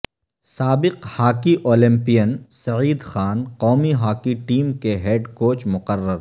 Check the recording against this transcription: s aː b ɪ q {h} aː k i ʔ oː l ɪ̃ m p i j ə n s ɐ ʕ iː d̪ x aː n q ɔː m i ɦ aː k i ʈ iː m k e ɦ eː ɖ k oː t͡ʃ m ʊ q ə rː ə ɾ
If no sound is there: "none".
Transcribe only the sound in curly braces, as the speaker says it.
h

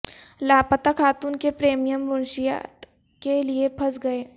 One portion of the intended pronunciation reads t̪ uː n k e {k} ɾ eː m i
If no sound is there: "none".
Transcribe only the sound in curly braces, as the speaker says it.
p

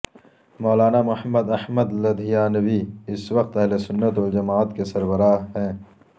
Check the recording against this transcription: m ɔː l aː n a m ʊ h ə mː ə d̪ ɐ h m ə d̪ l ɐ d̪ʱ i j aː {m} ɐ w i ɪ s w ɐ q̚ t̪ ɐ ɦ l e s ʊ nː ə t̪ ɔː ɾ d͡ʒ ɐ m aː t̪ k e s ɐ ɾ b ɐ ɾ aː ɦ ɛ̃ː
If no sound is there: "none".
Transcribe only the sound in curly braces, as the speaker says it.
n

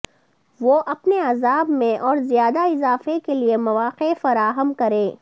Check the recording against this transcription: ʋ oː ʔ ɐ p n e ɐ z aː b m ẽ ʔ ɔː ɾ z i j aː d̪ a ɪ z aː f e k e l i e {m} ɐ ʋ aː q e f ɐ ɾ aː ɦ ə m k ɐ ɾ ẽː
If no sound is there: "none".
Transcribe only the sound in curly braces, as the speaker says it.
m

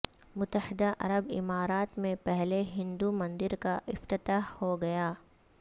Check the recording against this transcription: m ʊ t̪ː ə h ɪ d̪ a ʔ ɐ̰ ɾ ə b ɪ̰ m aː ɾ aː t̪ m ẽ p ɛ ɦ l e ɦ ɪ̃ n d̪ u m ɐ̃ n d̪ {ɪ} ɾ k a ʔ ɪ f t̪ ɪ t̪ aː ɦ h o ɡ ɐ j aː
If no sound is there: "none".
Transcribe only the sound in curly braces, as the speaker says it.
ɪ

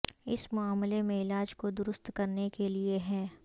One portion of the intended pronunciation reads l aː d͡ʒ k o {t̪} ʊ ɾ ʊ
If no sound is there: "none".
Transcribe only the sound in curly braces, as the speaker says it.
d̪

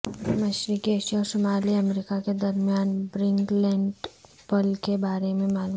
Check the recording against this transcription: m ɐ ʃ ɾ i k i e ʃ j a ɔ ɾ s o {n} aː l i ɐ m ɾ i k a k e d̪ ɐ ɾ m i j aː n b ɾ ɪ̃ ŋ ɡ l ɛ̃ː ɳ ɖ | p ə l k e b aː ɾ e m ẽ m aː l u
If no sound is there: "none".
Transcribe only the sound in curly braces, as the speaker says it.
m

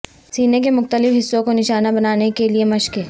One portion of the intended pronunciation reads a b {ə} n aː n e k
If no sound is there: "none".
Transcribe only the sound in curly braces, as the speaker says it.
ɐ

